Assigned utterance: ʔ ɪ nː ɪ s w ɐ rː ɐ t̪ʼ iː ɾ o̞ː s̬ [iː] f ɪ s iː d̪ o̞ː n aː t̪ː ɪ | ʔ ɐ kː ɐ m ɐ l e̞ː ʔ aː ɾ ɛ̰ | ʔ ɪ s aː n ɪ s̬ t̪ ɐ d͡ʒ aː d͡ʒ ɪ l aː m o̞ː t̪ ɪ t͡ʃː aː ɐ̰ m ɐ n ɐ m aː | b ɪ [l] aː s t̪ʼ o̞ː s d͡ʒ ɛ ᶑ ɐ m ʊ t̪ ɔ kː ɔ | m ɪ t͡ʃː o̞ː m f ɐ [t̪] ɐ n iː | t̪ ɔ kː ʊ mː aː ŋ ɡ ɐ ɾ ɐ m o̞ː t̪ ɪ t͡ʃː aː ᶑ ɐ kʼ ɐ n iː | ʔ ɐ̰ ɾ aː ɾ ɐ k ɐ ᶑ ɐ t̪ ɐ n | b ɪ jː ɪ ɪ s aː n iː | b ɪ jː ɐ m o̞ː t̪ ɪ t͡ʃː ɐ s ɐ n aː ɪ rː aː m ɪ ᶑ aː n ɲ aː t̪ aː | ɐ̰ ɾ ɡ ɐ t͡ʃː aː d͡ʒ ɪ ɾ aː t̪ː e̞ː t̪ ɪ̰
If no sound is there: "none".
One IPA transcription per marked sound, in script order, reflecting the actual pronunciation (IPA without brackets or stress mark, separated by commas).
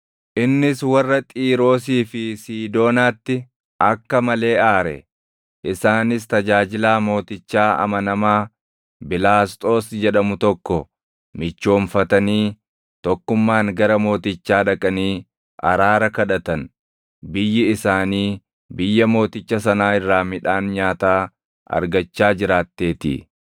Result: iː, l, t̪